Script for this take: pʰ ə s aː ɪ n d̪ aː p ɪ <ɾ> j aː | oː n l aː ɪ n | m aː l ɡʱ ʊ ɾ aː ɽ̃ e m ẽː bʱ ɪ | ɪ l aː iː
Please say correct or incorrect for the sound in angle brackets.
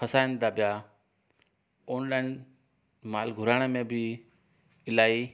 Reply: incorrect